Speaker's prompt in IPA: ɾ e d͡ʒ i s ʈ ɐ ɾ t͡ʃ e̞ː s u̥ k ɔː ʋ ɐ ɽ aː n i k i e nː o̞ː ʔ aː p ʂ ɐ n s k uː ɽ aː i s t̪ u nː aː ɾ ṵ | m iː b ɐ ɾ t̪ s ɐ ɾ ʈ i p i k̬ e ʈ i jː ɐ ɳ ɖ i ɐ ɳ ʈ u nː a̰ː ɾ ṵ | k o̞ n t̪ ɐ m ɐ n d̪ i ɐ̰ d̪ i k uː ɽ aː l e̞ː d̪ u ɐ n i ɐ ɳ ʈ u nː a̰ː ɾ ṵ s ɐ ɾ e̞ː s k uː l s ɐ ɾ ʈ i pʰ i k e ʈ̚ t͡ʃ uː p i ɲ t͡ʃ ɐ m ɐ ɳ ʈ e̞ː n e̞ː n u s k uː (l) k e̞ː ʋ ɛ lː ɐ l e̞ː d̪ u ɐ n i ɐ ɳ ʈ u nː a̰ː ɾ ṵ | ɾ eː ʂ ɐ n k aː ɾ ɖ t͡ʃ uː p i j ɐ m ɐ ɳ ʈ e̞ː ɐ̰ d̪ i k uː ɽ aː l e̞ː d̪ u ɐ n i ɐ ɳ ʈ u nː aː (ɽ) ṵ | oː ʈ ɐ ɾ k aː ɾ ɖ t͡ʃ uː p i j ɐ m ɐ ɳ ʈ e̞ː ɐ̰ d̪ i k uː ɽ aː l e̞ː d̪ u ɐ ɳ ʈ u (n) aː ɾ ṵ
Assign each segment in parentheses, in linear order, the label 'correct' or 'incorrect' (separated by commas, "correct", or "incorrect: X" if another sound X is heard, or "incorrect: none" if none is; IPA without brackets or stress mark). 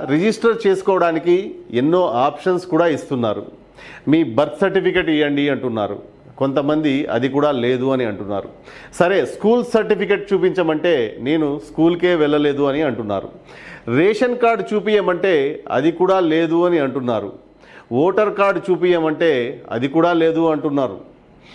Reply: correct, incorrect: ɾ, incorrect: nː